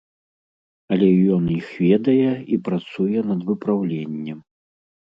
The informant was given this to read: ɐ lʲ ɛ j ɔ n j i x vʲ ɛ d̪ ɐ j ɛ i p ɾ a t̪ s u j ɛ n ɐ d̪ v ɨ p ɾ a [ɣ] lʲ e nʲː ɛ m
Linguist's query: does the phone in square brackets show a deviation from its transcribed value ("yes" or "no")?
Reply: yes